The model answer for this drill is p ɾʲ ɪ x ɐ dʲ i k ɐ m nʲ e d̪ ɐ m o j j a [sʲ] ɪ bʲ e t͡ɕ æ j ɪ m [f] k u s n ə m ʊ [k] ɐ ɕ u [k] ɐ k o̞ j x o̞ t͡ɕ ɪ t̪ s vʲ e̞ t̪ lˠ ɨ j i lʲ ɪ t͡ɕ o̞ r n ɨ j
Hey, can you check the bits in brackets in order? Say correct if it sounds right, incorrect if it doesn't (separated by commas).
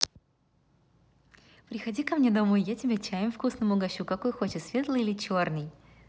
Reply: incorrect, correct, incorrect, correct